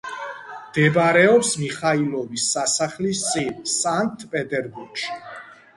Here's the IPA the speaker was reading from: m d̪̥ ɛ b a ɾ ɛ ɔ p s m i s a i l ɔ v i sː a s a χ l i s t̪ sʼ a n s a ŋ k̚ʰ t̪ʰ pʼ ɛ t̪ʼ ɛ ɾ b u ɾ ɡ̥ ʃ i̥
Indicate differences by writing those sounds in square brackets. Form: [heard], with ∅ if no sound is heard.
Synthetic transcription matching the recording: m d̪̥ ɛ b a ɾ ɛ ɔ p s m i [χ] a i l ɔ v i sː a s a χ l i s t̪ sʼ [i] n s a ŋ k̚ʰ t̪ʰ pʼ ɛ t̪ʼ ɛ ɾ b u ɾ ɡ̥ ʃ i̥